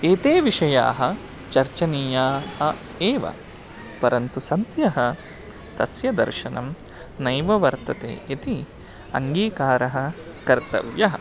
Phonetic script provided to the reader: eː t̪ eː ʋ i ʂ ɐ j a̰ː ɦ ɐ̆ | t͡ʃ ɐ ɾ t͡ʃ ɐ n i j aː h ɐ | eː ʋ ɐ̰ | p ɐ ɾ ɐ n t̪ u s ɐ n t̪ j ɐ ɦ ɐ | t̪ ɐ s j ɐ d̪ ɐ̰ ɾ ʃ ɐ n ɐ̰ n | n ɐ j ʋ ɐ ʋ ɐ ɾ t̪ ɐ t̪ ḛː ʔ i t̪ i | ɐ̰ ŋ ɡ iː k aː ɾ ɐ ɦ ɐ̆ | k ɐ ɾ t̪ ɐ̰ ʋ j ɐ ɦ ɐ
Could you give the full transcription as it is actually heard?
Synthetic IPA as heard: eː t̪ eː ʋ i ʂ ɐ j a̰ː ɦ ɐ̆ | t͡ʃ ɐ ɾ t͡ʃ ɐ n i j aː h ɐ | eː ʋ ɐ̰ | p ɐ ɾ ɐ n t̪ u s ɐ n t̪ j ɐ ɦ ɐ | t̪ ɐ s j ɐ d̪ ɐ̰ ɾ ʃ ɐ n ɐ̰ m | n ɐ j ʋ ɐ ʋ ɐ ɾ t̪ ɐ t̪ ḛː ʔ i t̪ i | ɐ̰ ŋ ɡ iː k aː ɾ ɐ ɦ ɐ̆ | k ɐ ɾ t̪ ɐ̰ ʋ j ɐ ɦ ɐ